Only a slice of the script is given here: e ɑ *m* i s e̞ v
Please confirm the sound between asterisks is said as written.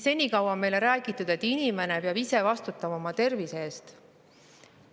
no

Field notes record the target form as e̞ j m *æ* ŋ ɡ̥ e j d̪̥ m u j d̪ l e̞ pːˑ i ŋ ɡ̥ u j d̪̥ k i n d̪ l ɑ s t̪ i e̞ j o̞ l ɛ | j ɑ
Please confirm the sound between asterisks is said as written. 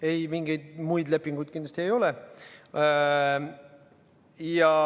no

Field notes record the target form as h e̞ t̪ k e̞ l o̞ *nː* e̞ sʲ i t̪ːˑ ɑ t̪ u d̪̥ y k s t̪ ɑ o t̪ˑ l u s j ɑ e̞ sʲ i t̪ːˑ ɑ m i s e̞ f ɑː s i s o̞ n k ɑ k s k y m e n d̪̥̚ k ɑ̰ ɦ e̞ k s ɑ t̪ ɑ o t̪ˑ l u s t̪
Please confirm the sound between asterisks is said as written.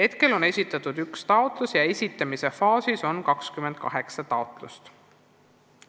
no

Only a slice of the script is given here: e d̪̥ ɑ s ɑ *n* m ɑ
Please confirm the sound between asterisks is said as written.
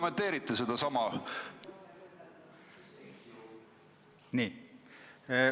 no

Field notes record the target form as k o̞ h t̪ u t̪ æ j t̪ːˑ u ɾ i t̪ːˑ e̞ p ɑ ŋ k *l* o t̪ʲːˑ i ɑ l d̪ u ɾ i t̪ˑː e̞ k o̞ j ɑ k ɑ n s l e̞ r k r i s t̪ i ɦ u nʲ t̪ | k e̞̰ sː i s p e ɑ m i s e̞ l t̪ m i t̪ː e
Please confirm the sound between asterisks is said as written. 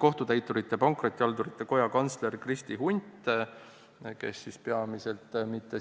no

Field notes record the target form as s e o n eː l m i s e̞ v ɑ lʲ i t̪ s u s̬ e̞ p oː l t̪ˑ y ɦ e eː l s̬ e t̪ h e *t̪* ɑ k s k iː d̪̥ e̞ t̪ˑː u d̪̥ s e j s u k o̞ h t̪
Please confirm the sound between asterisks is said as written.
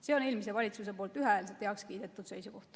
no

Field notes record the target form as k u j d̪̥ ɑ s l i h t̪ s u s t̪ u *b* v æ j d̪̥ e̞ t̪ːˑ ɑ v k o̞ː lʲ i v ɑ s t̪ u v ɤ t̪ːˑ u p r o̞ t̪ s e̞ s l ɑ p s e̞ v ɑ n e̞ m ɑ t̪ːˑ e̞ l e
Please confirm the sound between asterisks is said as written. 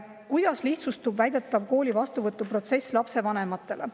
yes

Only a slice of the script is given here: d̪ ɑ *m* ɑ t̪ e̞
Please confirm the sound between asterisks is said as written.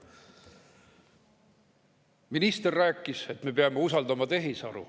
yes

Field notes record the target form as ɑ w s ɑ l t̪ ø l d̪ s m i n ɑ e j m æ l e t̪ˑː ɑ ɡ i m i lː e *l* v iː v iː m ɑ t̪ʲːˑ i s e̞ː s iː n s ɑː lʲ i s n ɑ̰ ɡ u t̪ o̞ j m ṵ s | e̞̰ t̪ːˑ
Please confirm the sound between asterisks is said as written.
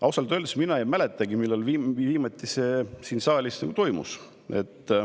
yes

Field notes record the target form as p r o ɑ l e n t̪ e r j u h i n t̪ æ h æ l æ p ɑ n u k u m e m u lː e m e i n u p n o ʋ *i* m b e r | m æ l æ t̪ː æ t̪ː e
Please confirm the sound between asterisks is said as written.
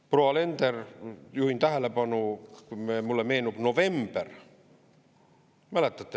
no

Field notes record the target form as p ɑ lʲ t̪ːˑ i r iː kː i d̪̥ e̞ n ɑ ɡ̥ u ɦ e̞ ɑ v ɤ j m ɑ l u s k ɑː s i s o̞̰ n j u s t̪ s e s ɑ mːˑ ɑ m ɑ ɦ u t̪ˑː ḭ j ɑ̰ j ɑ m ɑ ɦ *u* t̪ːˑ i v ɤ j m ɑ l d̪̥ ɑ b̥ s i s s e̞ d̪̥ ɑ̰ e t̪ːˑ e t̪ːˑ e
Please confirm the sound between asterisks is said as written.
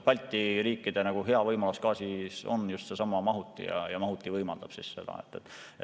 yes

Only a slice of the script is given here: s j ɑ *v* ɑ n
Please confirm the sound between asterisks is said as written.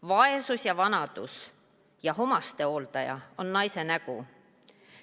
yes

